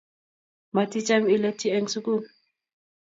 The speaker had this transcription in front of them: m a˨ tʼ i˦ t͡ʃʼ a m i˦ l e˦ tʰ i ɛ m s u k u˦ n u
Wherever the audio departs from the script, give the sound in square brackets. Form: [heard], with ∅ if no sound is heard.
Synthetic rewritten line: m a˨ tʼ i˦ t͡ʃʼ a m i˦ l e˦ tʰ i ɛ [ŋ] s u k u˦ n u